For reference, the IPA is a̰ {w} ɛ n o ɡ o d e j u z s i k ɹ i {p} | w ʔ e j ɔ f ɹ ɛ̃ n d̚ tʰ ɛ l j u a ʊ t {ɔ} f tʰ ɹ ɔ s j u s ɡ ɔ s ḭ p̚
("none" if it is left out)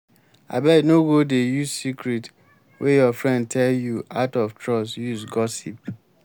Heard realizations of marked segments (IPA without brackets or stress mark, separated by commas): b, t, ɔ